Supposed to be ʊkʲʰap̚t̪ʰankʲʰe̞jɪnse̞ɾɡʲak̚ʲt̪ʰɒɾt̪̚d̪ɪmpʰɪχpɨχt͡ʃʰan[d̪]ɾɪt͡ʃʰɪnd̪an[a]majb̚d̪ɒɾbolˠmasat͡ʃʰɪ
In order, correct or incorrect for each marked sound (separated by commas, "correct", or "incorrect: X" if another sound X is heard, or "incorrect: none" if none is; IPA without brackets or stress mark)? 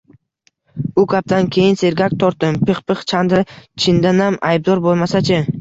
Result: correct, correct